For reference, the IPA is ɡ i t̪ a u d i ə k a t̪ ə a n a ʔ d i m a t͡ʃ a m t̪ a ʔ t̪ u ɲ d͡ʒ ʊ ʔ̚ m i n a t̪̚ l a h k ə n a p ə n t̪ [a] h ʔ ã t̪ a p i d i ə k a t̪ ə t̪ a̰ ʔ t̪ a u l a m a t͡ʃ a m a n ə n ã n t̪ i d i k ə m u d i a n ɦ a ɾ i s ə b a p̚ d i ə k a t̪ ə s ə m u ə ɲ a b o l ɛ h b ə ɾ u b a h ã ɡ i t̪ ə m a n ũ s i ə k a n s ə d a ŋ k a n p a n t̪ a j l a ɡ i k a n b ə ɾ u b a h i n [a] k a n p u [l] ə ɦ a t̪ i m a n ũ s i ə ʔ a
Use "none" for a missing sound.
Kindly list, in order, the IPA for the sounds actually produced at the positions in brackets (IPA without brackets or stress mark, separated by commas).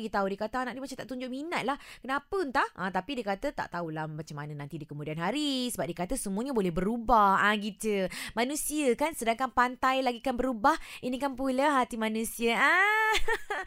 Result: a, i, l